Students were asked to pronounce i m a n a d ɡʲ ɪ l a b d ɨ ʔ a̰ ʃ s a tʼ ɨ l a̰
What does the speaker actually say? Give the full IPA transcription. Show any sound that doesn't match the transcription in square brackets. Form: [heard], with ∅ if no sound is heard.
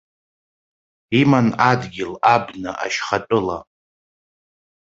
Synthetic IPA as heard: i m a n a d ɡʲ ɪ l a b [n] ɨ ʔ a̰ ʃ [χ] a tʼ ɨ l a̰